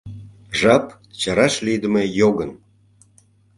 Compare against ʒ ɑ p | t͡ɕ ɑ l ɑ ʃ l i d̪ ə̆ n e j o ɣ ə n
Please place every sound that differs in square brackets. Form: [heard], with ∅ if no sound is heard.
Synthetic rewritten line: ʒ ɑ p | t͡ɕ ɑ [ɾ] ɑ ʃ l i d̪ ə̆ [m] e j o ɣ ə n